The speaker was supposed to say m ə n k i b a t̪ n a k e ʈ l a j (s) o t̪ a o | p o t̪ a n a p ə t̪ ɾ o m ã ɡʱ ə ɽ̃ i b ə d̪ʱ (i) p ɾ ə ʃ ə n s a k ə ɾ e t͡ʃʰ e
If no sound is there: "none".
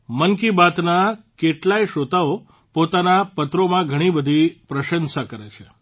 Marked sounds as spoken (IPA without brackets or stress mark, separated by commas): ʃ, i